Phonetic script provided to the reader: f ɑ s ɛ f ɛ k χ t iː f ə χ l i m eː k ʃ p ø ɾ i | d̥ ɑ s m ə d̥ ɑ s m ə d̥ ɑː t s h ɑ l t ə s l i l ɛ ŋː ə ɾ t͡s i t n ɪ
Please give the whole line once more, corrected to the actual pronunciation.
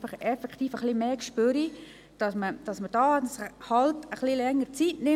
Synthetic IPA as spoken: f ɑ χ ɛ f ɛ k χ t iː f ə χ l i m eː k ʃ p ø ɾ i | d̥ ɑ s m ə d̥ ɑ s m ə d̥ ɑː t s h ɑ l t ə χ l i l ɛ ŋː ə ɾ t͡s i t n ɪ